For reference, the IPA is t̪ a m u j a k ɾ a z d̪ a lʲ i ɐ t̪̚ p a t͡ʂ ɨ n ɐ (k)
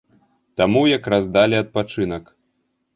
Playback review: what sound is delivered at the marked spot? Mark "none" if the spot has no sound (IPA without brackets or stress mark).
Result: k